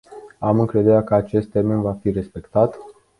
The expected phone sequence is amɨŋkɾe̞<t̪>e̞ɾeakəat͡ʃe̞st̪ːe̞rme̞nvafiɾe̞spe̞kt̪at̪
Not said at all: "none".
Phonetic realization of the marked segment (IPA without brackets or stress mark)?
d̪